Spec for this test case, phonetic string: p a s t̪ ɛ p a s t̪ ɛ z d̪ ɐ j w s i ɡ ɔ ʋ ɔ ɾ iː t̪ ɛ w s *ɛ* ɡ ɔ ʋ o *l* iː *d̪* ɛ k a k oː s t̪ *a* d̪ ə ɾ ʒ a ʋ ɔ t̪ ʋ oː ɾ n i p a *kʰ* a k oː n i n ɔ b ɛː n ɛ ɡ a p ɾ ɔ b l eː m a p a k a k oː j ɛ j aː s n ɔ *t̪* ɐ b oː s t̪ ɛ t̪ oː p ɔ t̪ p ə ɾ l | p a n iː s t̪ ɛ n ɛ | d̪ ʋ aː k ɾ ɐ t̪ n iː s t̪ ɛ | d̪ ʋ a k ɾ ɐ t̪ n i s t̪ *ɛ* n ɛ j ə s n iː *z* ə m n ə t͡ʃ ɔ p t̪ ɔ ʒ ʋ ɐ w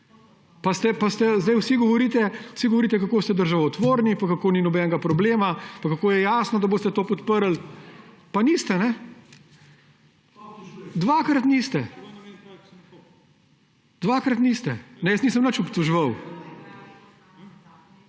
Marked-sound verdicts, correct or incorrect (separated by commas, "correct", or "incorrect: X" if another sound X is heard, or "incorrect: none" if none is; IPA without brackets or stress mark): incorrect: i, incorrect: ɾ, incorrect: t̪, incorrect: ɛ, incorrect: k, incorrect: d̪, correct, incorrect: s